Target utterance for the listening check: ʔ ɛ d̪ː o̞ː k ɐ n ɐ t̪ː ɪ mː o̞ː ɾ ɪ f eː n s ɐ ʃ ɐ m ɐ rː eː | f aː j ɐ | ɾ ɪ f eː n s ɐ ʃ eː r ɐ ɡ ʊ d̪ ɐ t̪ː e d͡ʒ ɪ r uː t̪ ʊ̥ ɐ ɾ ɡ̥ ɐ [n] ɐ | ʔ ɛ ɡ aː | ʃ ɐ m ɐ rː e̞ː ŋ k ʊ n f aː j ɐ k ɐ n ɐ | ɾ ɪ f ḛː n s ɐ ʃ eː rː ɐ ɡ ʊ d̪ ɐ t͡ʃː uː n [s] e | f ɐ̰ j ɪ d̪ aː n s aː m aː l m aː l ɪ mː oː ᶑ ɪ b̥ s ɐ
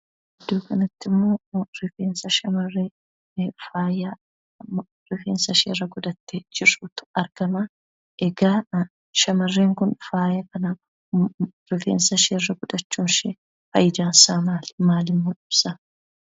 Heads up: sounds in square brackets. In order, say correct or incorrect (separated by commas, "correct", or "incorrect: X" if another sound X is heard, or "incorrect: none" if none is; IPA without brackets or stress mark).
incorrect: m, incorrect: ʃ